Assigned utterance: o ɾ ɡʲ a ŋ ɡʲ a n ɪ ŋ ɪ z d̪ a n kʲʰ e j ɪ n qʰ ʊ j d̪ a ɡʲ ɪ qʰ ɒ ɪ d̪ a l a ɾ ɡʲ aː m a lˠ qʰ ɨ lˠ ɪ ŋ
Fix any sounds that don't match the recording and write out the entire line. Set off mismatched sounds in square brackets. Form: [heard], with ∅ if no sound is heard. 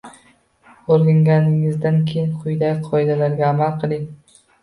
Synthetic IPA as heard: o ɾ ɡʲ a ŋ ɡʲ a n ɪ ŋ ɪ z d̪ a n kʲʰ e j ɪ n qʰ ʊ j d̪ a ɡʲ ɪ qʰ ɒ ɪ d̪ a l a ɾ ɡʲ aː m a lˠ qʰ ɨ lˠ ɪ ŋ